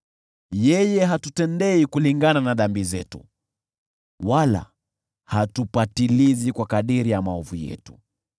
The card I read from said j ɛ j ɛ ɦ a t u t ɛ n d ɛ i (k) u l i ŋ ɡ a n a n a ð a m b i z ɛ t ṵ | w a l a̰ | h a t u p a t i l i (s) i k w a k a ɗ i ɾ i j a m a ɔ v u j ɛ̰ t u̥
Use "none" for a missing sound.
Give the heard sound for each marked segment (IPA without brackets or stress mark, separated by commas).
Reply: k, z